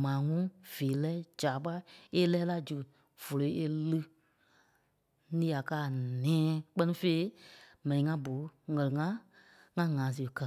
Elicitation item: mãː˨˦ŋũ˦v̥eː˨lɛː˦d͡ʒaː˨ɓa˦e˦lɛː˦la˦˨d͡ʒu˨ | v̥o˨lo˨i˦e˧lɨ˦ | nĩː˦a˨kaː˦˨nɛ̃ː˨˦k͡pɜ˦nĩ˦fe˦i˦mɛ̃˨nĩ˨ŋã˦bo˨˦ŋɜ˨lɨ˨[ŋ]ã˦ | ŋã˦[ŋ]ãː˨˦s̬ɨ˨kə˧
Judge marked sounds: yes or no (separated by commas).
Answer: yes, yes